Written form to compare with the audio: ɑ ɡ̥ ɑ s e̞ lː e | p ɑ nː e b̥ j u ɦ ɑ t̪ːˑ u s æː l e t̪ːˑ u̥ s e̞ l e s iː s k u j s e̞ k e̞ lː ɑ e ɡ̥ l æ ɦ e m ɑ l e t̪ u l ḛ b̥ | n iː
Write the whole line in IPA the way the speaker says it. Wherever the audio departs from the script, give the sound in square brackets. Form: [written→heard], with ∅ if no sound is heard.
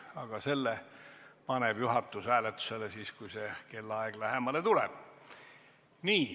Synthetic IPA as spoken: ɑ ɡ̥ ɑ s e̞ lː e | p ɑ [nː→n] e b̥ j u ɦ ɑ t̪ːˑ u s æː l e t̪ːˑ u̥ s e̞ l e s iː s k u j s e̞ k e̞ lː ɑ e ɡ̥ l æ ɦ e m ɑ l e t̪ u l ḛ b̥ | n iː